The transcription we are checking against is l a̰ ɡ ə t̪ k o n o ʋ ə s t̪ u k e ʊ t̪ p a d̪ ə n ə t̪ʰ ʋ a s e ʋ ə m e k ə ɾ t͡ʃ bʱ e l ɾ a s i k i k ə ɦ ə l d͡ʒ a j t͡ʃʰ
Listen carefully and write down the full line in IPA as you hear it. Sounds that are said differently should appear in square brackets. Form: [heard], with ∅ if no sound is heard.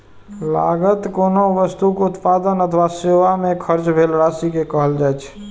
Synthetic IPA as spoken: l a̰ ɡ ə t̪ k o n o ʋ ə s t̪ u k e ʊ t̪ p a d̪ ə n ə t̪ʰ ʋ a s e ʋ [a] m e [kʰ] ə ɾ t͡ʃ bʱ e l ɾ a s i k [e] k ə ɦ ə l d͡ʒ a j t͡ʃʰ